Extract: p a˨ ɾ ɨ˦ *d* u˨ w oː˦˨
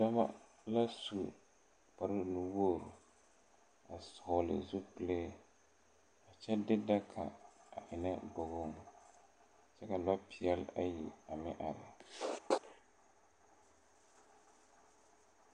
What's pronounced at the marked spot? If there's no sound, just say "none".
n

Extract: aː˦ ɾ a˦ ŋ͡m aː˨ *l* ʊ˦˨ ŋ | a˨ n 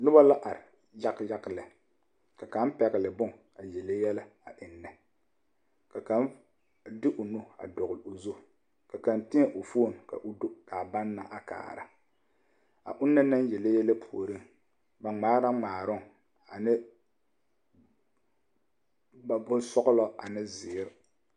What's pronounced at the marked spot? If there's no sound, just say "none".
ɾ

